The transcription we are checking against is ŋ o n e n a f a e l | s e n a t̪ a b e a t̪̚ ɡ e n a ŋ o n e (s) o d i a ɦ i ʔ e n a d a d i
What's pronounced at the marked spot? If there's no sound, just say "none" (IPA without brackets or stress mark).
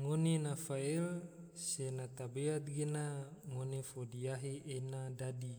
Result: f